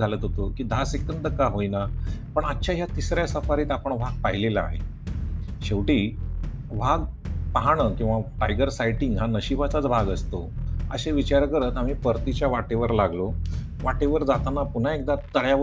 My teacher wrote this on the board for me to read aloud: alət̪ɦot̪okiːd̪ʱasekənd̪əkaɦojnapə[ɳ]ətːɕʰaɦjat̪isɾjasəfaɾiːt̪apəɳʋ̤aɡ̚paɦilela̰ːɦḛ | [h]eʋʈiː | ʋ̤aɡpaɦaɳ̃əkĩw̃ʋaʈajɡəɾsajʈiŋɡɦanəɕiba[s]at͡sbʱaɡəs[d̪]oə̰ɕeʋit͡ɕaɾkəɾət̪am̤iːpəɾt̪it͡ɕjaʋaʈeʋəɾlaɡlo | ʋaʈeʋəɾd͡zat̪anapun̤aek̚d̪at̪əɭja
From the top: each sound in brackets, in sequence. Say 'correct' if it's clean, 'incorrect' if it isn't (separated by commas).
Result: correct, incorrect, incorrect, incorrect